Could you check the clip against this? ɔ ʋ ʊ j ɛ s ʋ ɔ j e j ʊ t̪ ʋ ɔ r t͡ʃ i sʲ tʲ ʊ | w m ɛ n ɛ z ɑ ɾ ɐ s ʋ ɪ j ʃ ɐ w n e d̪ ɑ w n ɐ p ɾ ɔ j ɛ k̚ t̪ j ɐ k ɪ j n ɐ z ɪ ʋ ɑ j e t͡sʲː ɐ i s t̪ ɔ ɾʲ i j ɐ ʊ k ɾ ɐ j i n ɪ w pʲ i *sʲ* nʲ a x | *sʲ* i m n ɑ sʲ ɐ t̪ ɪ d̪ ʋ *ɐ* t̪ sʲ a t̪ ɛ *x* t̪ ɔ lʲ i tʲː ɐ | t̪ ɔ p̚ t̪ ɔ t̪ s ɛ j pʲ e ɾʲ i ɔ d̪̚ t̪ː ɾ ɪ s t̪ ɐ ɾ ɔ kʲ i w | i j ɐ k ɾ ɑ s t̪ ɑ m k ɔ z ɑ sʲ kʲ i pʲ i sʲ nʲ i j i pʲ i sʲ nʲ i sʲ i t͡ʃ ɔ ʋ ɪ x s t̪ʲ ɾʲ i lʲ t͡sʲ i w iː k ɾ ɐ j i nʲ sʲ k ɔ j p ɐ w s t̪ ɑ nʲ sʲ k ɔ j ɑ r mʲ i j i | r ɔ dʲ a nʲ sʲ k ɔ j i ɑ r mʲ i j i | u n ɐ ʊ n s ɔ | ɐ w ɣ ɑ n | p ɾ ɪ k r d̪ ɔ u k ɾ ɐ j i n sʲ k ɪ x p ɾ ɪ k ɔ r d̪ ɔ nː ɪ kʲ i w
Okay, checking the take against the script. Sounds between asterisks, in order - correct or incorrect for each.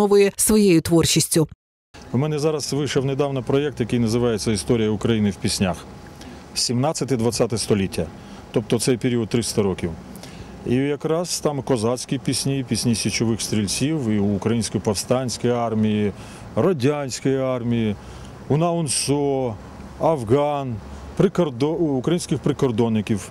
correct, correct, correct, incorrect

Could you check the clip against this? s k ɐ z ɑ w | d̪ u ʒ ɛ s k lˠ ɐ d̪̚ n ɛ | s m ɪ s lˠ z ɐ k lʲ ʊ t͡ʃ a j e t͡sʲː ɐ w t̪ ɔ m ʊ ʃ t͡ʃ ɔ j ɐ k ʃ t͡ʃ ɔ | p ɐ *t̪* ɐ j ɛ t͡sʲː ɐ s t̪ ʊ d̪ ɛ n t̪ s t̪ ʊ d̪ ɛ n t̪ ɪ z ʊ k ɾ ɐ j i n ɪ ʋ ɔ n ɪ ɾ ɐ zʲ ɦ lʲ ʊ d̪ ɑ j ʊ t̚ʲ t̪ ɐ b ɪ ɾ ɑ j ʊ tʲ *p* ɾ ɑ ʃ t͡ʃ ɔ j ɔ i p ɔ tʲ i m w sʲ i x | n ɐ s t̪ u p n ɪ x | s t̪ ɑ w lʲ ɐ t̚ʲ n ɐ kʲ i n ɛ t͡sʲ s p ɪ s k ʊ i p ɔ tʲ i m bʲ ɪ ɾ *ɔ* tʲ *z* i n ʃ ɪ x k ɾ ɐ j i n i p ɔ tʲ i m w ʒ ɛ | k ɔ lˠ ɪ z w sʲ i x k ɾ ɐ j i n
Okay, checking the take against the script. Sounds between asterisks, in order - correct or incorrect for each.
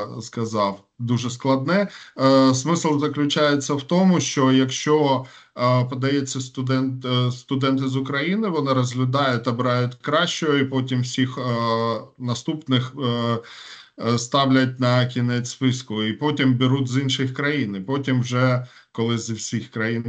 incorrect, incorrect, incorrect, correct

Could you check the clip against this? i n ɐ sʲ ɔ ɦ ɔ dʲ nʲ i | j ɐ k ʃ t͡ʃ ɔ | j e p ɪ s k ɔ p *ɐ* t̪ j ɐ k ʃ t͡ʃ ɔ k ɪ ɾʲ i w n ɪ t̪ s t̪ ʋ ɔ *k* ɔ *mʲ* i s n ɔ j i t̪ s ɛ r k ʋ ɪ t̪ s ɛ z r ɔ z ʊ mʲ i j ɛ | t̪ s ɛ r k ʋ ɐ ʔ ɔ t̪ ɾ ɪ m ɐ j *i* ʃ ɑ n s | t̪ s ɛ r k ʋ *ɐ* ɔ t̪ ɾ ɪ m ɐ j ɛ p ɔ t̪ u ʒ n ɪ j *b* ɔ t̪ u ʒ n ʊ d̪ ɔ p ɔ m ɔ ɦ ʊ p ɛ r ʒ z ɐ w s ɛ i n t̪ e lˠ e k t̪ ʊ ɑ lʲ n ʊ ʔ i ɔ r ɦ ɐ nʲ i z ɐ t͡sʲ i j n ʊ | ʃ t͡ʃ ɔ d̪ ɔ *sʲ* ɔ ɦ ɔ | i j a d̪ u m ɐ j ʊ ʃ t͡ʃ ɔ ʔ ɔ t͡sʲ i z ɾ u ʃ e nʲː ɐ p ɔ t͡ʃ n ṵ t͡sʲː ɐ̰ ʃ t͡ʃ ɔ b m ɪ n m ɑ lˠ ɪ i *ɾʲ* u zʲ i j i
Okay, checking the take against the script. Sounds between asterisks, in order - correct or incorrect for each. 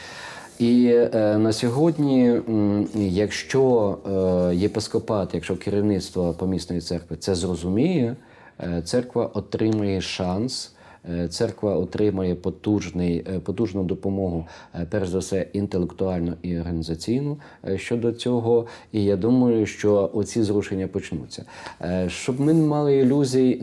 incorrect, incorrect, correct, incorrect, correct, incorrect, incorrect, incorrect

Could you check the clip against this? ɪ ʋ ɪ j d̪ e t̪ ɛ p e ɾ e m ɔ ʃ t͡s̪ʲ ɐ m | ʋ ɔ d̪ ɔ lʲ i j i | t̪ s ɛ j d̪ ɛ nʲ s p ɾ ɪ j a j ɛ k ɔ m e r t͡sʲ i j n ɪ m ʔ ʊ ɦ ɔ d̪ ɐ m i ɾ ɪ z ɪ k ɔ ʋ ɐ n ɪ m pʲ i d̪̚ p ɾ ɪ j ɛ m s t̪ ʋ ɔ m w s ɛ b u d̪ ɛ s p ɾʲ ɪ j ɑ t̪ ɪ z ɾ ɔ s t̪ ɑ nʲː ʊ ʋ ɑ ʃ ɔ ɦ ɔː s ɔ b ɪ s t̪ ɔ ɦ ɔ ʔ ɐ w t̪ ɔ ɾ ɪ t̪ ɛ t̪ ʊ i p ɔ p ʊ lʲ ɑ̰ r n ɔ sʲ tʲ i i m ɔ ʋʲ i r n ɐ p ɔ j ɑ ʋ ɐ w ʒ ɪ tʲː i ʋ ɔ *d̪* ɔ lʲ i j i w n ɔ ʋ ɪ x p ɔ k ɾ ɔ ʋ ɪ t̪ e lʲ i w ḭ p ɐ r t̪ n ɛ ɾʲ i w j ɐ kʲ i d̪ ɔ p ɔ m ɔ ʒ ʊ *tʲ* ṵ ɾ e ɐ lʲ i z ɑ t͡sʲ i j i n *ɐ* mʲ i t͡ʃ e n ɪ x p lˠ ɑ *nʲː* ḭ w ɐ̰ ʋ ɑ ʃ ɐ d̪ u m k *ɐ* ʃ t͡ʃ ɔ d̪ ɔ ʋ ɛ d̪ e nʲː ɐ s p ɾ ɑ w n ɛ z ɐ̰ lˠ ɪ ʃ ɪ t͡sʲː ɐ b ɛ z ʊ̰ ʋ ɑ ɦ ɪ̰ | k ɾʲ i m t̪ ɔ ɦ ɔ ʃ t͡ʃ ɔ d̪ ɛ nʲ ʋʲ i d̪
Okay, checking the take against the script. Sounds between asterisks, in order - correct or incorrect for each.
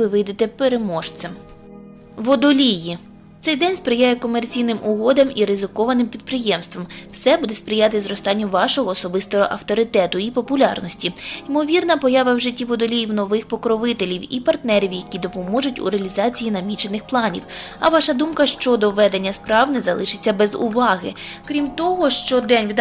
correct, correct, correct, incorrect, correct

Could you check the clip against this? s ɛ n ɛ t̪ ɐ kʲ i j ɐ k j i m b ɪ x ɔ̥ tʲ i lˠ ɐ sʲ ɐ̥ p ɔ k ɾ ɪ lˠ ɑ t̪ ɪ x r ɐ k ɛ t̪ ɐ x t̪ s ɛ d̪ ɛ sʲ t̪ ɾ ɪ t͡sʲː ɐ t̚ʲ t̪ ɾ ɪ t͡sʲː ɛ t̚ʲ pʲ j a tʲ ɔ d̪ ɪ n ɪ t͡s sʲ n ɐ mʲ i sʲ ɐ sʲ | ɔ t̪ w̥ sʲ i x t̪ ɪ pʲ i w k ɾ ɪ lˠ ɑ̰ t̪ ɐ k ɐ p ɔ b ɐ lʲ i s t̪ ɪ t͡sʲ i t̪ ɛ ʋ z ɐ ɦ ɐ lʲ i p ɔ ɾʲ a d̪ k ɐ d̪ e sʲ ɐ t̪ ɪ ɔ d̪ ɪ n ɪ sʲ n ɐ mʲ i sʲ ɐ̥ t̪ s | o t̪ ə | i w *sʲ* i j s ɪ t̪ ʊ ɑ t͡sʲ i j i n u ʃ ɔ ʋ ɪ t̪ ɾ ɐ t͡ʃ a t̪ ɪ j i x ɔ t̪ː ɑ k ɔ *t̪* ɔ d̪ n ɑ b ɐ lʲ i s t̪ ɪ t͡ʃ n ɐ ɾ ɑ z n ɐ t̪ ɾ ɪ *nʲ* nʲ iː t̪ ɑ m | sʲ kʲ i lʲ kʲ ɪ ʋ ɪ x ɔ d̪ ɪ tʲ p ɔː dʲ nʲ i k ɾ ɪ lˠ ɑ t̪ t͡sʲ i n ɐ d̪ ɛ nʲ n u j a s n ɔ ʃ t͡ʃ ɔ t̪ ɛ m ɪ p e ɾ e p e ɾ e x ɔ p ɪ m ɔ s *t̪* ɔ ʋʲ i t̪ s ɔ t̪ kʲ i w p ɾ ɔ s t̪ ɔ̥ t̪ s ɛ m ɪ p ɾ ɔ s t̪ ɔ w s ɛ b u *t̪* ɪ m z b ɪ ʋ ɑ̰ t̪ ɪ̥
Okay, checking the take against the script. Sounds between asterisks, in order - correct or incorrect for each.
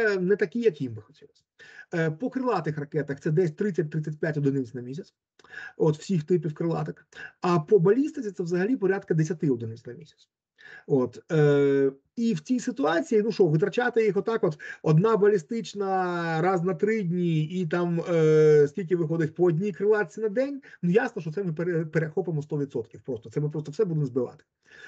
incorrect, correct, incorrect, correct, incorrect

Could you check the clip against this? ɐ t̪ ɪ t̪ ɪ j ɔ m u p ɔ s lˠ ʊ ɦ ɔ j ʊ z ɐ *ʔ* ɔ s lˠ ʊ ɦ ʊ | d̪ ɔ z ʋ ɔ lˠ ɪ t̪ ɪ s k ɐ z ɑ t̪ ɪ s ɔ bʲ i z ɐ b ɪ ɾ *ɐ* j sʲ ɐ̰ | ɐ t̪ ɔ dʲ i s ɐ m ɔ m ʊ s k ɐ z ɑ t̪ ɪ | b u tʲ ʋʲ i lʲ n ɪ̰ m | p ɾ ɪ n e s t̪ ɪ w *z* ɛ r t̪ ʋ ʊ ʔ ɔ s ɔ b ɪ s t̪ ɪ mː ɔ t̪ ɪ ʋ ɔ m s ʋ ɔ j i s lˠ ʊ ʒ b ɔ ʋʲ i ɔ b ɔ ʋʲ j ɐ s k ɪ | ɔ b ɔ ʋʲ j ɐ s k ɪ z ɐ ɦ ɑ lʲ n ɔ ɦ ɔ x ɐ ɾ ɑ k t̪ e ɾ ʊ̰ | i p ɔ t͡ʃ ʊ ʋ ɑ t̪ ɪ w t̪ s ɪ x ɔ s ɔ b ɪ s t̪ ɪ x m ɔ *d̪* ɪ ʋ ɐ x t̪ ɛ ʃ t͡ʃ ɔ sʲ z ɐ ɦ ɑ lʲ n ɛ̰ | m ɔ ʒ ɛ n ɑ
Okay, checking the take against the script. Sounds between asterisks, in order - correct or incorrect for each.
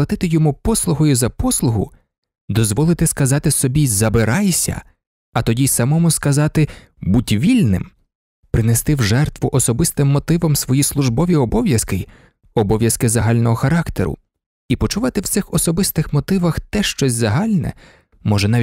incorrect, incorrect, incorrect, incorrect

